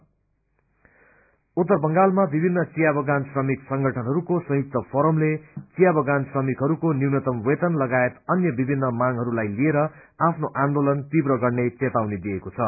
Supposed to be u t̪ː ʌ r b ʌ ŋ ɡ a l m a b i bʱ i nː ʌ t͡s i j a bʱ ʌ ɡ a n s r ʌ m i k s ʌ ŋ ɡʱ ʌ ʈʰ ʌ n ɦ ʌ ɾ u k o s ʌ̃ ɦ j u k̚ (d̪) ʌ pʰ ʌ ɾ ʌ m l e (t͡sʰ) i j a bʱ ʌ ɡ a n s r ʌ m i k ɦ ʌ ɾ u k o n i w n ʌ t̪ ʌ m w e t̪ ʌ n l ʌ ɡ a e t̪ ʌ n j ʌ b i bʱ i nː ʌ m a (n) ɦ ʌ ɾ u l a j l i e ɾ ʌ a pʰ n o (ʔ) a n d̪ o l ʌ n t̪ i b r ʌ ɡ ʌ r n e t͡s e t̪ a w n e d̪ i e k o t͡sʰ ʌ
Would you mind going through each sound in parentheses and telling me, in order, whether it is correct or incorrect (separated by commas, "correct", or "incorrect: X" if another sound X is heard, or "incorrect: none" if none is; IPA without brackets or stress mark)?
incorrect: t̪, incorrect: t͡s, incorrect: ŋ, correct